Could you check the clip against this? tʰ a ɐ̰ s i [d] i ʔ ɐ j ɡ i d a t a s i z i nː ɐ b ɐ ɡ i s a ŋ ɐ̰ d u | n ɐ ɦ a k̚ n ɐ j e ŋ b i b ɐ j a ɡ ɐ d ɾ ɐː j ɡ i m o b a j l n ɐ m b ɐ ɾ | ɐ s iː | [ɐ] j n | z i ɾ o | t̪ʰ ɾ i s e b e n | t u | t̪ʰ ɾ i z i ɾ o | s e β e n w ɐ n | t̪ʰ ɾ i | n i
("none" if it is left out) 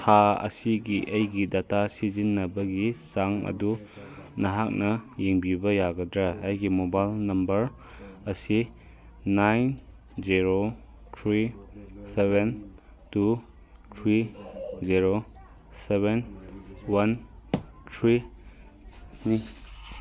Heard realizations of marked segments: ɡ, a

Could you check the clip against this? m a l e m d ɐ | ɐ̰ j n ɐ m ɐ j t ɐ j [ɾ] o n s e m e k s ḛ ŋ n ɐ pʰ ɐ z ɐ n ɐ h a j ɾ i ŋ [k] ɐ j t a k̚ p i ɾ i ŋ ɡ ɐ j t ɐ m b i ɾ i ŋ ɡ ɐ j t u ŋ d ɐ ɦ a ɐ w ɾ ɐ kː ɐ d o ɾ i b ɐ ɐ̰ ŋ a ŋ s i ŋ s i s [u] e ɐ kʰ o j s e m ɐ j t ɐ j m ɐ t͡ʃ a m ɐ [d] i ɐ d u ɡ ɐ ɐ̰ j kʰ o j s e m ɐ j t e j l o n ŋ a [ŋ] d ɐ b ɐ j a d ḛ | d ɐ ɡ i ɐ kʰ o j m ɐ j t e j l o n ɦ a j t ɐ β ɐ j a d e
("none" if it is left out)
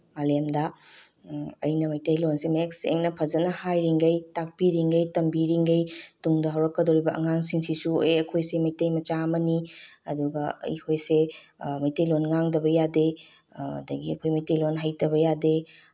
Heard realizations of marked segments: l, ɡ, u, n, ŋ

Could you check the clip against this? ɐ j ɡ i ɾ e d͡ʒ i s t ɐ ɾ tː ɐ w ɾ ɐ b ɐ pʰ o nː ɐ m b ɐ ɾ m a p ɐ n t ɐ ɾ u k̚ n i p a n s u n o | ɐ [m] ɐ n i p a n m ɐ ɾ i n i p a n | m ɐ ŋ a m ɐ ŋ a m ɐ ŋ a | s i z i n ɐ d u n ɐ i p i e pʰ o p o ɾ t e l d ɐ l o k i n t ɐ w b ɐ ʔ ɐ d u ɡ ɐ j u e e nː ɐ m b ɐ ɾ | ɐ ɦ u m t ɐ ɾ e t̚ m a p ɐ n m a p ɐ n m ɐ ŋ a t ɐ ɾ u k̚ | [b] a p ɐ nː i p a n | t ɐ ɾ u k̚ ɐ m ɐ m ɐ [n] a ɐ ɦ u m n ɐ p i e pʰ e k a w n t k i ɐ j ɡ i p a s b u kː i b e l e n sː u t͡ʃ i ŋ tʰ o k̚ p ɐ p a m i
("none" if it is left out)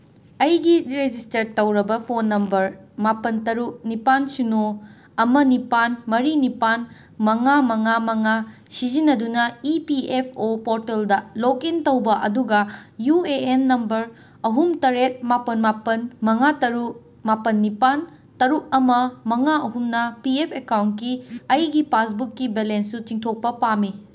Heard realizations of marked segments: m, m, ŋ

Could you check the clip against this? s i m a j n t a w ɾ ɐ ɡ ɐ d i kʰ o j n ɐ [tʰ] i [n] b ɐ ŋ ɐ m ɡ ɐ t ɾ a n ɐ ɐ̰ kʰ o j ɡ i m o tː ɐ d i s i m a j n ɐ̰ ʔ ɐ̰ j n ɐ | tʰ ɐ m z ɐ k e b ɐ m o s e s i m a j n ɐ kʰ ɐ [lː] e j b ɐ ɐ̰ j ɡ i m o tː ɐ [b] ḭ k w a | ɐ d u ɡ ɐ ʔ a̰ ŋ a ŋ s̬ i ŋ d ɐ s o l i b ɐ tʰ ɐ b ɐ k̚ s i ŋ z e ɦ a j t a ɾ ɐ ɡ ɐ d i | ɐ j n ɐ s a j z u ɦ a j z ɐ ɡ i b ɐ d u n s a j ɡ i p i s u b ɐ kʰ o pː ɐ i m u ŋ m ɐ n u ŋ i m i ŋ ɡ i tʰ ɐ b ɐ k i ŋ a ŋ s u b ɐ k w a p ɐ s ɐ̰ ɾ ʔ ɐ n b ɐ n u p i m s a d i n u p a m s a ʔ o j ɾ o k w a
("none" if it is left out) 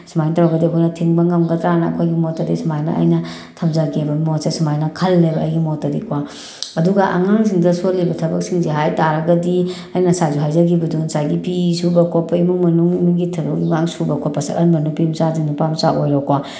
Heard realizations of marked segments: tʰ, ŋ, lː, d

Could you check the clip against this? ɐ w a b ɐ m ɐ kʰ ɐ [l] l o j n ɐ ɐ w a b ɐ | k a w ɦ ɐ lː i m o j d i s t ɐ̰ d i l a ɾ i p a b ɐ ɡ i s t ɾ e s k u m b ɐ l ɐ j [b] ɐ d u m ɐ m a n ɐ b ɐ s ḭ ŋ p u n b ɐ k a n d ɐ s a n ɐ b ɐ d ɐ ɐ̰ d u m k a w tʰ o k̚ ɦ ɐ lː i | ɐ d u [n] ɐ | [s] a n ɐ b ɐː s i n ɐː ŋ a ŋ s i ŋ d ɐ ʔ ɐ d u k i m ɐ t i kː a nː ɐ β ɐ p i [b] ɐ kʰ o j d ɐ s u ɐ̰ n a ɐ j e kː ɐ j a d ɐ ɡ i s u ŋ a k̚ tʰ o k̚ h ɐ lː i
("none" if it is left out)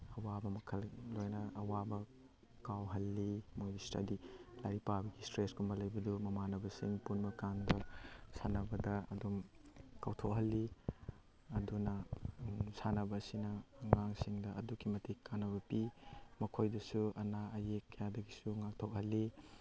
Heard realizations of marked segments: l, b, n, s, m

